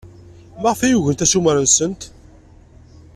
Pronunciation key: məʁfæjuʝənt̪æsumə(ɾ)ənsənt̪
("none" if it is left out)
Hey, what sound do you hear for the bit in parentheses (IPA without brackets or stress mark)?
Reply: ɾ